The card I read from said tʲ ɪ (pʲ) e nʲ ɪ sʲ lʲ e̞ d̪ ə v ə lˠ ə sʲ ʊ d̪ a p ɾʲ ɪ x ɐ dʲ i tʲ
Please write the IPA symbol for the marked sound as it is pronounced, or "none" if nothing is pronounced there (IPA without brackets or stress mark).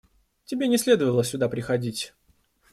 bʲ